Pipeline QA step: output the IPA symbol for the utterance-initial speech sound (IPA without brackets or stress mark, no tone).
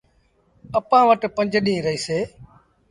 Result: ə